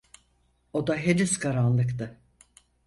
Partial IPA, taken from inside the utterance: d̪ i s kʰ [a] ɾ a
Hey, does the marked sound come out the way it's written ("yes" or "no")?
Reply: yes